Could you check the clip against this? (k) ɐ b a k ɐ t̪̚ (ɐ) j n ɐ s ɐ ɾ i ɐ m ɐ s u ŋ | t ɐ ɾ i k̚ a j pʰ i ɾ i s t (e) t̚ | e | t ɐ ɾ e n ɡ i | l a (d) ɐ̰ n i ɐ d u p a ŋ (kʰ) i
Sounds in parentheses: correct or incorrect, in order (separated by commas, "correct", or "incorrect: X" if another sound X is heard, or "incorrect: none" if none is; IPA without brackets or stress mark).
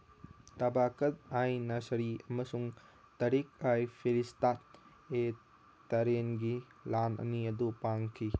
incorrect: t, incorrect: a, incorrect: a, incorrect: n, correct